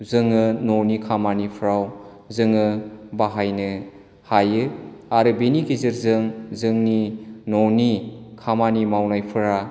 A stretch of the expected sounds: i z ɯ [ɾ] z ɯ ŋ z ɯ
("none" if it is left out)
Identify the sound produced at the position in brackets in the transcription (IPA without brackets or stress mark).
ɾ